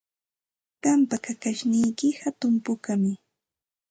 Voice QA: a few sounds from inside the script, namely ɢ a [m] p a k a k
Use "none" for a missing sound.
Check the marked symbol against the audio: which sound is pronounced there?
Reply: m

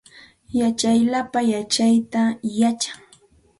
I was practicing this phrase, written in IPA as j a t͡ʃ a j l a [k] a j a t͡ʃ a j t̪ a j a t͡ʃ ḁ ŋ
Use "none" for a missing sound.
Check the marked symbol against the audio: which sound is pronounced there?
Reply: p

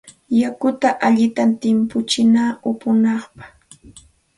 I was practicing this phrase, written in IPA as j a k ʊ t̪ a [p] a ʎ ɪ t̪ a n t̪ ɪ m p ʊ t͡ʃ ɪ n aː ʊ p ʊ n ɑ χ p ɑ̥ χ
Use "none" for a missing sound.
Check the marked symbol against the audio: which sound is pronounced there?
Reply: ʔ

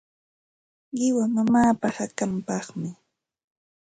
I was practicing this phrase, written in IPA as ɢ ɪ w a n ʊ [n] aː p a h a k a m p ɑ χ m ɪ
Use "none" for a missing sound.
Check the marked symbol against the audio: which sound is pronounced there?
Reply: m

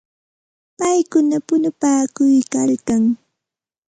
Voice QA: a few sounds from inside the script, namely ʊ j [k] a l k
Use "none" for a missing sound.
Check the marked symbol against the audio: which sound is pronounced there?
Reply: k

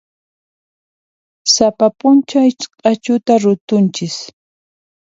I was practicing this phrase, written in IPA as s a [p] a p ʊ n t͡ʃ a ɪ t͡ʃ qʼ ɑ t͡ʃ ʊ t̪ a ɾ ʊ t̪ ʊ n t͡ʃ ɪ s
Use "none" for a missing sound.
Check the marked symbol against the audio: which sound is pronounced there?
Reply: p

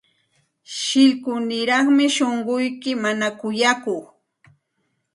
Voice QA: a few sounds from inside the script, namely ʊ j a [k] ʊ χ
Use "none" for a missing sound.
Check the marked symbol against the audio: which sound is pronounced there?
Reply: k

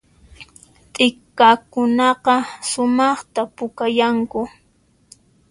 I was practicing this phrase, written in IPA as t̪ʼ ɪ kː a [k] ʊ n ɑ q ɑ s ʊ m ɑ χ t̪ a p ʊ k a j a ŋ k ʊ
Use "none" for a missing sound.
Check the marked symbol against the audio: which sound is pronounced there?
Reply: k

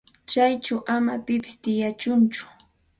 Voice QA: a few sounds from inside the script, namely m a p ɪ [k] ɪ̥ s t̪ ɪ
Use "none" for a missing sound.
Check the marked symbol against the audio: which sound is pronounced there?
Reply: p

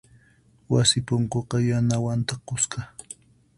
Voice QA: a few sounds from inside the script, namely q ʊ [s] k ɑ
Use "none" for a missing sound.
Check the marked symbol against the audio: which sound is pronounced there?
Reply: s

